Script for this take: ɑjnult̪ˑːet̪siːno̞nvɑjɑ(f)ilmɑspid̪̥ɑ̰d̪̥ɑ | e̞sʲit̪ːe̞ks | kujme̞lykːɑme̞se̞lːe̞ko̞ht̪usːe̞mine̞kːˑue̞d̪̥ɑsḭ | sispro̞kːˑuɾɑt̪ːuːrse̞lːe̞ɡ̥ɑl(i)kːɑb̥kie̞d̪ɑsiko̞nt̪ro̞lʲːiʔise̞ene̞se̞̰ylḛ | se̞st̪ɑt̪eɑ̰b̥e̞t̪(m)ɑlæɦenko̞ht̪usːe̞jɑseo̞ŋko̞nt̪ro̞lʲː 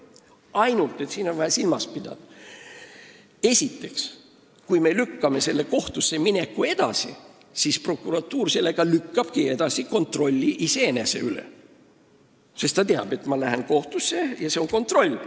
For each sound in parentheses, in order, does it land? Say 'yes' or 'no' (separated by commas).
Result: no, no, yes